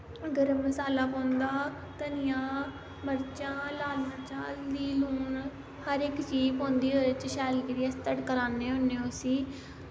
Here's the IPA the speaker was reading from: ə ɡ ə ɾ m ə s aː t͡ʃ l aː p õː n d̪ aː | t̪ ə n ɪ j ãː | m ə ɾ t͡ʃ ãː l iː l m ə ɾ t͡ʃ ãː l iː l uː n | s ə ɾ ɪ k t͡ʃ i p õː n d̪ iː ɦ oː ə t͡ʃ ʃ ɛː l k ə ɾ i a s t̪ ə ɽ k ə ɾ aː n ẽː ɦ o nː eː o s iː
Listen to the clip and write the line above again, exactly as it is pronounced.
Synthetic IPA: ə ɡ ə ɾ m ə s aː l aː p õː n d̪ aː | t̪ ə n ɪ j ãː | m ə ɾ t͡ʃ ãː l aː l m ə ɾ t͡ʃ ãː l iː l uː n | h ə ɾ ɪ k t͡ʃ iː p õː n d̪ iː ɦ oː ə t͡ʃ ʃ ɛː l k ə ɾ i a s t̪ ə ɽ k ə ɾ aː n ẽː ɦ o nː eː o s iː